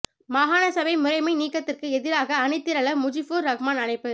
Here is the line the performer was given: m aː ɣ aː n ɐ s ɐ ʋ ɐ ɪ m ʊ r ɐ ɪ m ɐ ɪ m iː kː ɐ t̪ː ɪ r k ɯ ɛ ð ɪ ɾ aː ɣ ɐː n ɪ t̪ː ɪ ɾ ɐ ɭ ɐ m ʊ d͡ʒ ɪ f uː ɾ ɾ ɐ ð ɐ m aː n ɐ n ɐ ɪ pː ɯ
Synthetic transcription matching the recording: m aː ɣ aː n ɐ s ɐ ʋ ɐ ɪ m ʊ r ɐ ɪ m ɐ ɪ n iː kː ɐ t̪ː ɪ r k ɯ ɛ ð ɪ ɾ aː ɣ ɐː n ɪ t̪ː ɪ ɾ ɐ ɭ ɐ m ʊ d͡ʒ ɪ f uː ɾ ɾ ɐ ɣ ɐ m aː n ɐ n ɐ ɪ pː ɯ